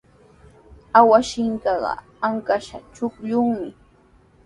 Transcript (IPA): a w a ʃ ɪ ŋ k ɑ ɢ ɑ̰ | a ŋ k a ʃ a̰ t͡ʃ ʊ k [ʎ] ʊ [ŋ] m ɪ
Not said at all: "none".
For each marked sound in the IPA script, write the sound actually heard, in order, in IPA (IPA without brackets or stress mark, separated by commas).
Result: ʎ, ŋ